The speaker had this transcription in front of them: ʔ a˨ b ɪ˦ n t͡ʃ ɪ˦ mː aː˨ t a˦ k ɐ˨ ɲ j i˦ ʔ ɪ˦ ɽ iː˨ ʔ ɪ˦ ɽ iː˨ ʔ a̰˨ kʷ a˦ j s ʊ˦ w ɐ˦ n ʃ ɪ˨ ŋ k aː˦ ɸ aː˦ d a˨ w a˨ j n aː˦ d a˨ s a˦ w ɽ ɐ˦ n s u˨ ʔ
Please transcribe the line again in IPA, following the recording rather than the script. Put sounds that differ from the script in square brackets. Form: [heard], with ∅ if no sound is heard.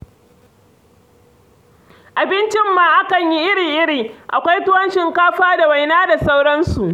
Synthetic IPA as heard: ʔ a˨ b ɪ˦ n t͡ʃ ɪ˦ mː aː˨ [ʔ] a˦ k ɐ˨ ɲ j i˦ ʔ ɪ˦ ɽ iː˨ ʔ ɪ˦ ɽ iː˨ ʔ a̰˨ kʷ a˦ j [t] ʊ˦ w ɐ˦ n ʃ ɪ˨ ŋ k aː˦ ɸ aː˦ d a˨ w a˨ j n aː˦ d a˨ s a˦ w ɽ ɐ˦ n s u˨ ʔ

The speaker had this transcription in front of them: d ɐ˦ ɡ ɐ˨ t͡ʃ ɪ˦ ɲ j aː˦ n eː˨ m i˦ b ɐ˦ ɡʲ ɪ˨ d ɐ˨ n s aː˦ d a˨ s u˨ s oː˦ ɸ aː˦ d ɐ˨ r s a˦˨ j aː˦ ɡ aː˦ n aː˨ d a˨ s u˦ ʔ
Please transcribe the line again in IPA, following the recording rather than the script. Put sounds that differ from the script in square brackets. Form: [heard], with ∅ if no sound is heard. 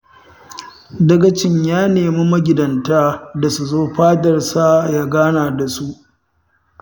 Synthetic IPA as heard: d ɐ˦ ɡ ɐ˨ t͡ʃ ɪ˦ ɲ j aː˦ n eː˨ m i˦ [m] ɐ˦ ɡʲ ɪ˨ d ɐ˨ n [t] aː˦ d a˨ s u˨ [z] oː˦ ɸ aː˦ d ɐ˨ r s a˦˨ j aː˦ ɡ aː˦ n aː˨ d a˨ s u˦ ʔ

